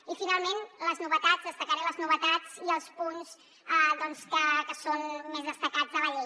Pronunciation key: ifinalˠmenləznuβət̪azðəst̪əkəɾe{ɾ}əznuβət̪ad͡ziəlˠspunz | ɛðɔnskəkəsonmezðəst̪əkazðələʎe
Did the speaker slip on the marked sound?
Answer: yes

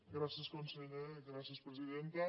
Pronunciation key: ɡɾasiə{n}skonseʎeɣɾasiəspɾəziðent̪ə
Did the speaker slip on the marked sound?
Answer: yes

